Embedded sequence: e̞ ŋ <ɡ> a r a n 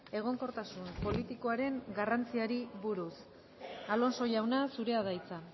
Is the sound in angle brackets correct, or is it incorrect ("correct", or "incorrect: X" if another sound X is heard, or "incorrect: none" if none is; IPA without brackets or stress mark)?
correct